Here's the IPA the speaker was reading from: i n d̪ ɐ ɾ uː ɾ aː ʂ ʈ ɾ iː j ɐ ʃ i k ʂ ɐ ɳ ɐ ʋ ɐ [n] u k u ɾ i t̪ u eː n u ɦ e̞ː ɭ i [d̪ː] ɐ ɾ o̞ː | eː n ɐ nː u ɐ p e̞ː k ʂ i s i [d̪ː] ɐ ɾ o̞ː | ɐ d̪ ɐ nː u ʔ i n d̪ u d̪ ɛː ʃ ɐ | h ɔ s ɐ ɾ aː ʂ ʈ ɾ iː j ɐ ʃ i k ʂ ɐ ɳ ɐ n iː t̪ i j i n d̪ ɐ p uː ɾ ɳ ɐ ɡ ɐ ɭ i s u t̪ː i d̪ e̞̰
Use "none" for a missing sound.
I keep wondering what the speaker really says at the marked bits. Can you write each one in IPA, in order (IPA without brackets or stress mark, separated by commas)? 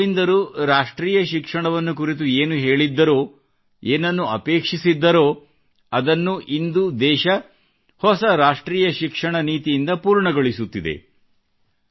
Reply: nː, d̪ː, d̪ː